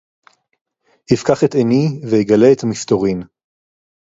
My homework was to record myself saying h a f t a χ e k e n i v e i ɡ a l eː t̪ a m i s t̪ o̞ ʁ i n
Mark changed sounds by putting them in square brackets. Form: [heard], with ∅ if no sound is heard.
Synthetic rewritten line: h [i] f [k] a χ e [t] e n i v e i ɡ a l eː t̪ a m i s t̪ o̞ ʁ i n